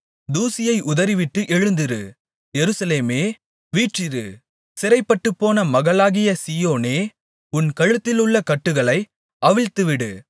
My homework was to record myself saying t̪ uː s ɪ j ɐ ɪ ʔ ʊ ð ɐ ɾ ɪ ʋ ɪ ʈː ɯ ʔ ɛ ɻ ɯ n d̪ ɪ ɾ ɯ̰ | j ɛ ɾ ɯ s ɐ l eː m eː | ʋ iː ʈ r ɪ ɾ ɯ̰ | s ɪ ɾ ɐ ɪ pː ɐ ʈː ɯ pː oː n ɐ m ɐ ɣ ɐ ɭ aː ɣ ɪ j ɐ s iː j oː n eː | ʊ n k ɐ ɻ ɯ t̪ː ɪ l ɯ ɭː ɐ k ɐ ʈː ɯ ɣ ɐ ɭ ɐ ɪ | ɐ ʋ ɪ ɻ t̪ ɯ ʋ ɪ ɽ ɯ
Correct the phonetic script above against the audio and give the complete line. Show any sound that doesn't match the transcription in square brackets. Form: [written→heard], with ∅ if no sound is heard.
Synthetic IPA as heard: [t̪→d̪] uː s ɪ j ɐ ɪ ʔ ʊ ð ɐ ɾ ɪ ʋ ɪ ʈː ɯ ʔ ɛ ɻ ɯ n d̪ ɪ ɾ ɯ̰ | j ɛ ɾ ɯ s ɐ l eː m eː | ʋ iː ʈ r ɪ ɾ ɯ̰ | s ɪ ɾ ɐ ɪ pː ɐ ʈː ɯ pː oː n ɐ m ɐ ɣ ɐ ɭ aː ɣ ɪ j ɐ s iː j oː n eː | ʊ n k ɐ ɻ ɯ t̪ː ɪ l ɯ ɭː ɐ k ɐ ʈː ɯ ɣ ɐ ɭ ɐ ɪ | ɐ ʋ ɪ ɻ t̪ ɯ ʋ ɪ ɽ ɯ